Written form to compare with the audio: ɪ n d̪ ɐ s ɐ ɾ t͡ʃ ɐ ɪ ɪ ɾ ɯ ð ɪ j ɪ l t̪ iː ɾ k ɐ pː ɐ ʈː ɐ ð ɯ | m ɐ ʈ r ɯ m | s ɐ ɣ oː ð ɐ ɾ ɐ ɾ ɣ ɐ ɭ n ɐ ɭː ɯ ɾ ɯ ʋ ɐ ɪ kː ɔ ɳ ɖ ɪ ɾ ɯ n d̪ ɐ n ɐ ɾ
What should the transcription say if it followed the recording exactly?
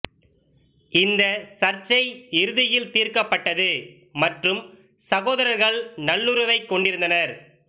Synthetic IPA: ɪ n d̪ ɐ s ɐ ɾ t͡ʃ ɐ ɪ ɪ ɾ ɯ ð ɪ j ɪ l t̪ iː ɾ k ɐ pː ɐ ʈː ɐ ð ɯ | m ɐ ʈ r ɯ m | s ɐ ɣ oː ð ɐ ɾ ɐ ɾ ɣ ɐ ɭ n ɐ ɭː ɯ ɾ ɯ ʋ ɐ ɪ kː ɔ ɳ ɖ ɪ ɾ ɯ n d̪ ɐ n ɐ ɾ